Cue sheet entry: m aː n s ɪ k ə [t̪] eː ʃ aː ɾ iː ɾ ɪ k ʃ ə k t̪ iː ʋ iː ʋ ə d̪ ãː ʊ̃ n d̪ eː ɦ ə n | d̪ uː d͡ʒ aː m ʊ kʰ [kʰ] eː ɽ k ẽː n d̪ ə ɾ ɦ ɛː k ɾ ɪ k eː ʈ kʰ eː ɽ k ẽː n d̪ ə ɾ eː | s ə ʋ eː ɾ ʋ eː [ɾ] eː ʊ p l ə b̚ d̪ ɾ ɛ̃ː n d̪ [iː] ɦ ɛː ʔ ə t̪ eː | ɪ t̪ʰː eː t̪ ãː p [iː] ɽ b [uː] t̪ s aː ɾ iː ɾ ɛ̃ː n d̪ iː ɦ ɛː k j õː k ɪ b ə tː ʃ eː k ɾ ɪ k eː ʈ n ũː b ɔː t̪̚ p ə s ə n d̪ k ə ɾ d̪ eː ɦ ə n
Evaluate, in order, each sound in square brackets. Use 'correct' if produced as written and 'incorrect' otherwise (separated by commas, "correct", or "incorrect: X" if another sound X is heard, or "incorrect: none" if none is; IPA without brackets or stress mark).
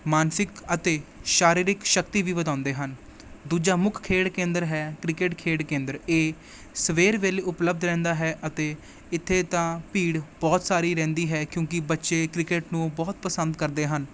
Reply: correct, correct, incorrect: l, incorrect: aː, correct, incorrect: ɔː